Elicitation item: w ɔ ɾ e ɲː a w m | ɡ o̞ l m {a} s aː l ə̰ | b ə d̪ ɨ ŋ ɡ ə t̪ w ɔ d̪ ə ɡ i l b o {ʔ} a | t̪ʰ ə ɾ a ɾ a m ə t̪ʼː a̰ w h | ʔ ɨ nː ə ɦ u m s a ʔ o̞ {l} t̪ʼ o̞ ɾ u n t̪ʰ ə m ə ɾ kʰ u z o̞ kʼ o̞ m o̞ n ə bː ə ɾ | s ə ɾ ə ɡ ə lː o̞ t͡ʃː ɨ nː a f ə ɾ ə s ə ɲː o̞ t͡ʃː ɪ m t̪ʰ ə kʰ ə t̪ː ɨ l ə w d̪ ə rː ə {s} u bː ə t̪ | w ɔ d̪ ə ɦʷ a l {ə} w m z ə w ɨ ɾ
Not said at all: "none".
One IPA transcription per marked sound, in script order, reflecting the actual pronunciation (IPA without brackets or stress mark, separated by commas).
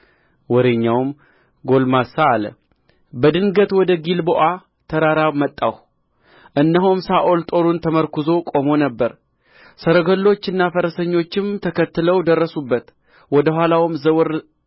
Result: a, ʔ, l, s, a